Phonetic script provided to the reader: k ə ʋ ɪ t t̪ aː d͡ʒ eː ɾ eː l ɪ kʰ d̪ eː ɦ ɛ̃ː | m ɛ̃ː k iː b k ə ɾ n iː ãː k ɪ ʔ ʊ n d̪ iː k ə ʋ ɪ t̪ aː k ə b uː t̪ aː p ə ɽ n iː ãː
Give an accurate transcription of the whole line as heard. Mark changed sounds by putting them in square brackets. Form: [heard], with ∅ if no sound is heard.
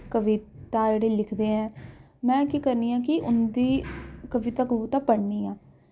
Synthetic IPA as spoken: k ə ʋ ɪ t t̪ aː d͡ʒ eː [ɽ] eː l ɪ kʰ d̪ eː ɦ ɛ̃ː | m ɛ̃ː k iː [∅] k ə ɾ n iː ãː k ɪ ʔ ʊ n d̪ iː k ə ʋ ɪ t̪ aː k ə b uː t̪ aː p ə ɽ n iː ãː